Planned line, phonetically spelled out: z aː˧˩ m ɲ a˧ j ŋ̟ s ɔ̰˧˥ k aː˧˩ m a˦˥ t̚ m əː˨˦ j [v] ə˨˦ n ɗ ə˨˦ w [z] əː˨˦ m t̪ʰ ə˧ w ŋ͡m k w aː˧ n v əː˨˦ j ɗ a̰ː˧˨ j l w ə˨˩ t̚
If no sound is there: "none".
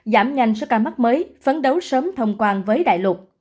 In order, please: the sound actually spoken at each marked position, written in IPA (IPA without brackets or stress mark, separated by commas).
f, s